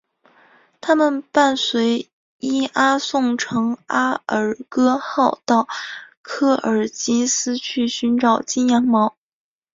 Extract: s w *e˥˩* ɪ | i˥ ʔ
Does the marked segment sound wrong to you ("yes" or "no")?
yes